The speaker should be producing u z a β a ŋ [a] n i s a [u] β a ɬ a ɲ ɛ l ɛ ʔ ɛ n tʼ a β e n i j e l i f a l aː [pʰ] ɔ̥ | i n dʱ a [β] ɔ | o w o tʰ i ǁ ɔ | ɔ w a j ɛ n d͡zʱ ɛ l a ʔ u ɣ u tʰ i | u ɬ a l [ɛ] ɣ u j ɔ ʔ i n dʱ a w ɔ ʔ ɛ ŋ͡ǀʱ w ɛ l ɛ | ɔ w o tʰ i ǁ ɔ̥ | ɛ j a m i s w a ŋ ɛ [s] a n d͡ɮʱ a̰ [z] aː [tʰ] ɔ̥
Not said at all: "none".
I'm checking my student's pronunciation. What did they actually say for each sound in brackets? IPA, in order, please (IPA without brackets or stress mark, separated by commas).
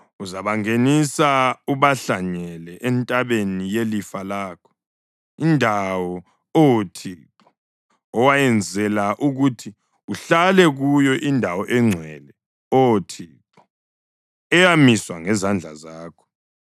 e, u, kʰ, w, ɛ, z, z, kʰ